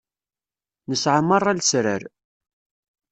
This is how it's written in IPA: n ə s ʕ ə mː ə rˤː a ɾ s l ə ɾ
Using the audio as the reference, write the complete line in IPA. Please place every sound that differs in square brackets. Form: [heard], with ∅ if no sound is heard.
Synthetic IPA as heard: n ə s ʕ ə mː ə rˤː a [l] s [ɾ] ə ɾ

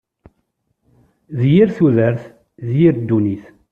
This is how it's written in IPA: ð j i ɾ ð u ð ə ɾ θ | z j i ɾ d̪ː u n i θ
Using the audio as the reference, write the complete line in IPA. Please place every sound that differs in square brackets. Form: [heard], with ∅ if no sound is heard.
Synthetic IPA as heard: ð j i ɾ [θ] u ð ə ɾ θ | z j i ɾ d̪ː u n i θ

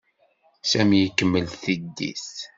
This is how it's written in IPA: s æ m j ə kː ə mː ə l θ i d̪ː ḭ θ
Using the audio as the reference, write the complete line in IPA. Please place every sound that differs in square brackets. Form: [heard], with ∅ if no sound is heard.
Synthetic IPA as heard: s æ m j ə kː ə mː ə l θ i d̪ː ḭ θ

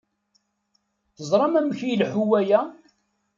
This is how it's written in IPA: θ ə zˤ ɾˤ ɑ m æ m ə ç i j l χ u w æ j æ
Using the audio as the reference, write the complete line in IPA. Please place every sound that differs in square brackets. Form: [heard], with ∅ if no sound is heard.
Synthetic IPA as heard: θ ə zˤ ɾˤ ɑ m æ m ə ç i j l [ħ] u w æ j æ

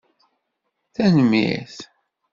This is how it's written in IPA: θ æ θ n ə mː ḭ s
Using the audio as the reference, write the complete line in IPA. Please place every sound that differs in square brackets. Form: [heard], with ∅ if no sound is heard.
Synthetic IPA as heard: θ æ [∅] n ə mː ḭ [θ]

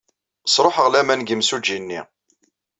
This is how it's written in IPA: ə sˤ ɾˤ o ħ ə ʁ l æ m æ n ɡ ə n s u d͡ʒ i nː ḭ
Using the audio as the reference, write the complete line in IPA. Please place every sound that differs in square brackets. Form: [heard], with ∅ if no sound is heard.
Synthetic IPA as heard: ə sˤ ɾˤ o ħ ə ʁ l æ m æ n ɡ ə [m] s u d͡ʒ i nː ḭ

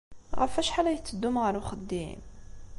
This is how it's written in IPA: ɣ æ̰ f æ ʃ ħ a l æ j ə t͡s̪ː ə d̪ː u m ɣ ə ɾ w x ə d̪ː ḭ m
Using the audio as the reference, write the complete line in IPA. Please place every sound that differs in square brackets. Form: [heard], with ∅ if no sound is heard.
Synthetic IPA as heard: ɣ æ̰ f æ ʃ ħ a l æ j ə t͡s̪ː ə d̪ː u m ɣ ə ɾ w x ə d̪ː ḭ m

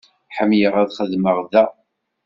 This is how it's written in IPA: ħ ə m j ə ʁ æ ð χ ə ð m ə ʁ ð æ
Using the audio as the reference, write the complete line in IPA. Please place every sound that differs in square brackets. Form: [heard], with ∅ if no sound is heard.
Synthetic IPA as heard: ħ ə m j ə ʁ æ ð χ ə ð m ə ʁ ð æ

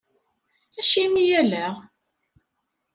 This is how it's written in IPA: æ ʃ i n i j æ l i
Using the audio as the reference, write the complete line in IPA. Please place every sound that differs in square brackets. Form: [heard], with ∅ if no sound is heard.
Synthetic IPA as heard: æ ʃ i [m] i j æ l [æ]

